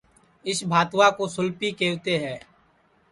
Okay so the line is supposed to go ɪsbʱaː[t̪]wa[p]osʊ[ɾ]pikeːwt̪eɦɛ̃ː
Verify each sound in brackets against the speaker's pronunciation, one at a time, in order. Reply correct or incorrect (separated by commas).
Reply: correct, incorrect, incorrect